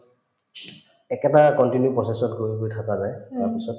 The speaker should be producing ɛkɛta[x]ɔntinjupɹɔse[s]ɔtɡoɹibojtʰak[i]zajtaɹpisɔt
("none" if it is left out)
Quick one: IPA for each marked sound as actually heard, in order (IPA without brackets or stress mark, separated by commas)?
k, s, a